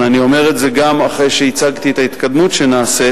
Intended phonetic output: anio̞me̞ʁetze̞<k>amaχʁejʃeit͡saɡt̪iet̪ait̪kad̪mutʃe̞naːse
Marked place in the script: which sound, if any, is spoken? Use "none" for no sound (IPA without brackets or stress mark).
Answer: ɡ